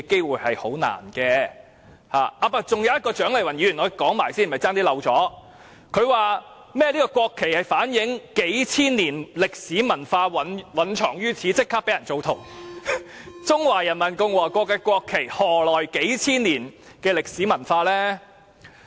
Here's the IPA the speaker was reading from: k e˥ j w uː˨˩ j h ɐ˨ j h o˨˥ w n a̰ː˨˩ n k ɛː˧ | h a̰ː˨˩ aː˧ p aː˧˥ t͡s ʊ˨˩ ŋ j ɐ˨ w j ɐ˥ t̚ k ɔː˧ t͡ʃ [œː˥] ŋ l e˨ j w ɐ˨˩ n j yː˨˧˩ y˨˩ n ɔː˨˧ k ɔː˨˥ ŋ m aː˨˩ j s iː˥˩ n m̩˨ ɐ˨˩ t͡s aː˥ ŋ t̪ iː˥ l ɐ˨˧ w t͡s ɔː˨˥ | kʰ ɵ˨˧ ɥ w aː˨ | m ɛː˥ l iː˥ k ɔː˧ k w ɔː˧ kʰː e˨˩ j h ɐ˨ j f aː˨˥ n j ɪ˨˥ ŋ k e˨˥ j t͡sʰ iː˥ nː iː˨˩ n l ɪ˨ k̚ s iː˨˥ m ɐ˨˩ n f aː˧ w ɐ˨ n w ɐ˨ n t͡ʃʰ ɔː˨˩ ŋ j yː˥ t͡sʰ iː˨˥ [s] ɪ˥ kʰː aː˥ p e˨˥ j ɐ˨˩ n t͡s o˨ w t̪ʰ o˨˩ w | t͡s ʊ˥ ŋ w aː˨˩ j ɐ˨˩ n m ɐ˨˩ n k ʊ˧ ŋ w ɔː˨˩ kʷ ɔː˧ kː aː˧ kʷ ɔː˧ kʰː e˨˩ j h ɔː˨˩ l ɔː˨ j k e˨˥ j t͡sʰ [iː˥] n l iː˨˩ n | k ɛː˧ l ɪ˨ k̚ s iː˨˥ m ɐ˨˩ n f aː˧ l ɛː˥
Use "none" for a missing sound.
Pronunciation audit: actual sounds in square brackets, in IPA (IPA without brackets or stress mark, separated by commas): œː˨˥, t͡s, iː˥